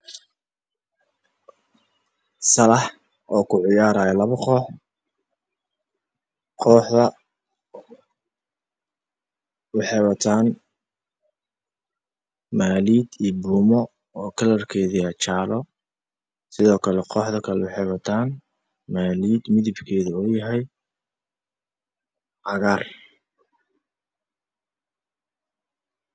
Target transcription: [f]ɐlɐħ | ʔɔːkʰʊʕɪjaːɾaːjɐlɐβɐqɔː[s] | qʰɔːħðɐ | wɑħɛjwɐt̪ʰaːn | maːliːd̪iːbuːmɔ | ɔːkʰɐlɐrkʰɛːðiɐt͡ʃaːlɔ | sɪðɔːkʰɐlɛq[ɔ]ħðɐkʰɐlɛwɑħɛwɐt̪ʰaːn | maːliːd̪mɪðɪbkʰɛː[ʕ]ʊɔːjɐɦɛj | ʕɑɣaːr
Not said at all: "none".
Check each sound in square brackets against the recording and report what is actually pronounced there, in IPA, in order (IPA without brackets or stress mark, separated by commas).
s, ħ, ɔː, ð